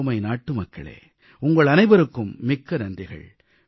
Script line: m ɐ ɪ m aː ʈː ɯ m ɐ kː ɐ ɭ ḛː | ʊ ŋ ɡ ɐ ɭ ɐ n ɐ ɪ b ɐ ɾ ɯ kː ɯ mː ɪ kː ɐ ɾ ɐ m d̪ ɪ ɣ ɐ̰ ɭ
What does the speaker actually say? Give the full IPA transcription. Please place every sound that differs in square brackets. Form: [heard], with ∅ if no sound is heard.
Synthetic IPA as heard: m ɐ ɪ [n] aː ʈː ɯ m ɐ kː ɐ ɭ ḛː | ʊ ŋ ɡ ɐ ɭ ɐ n ɐ ɪ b ɐ ɾ ɯ kː ɯ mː ɪ kː ɐ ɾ ɐ [n] d̪ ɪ ɣ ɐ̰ ɭ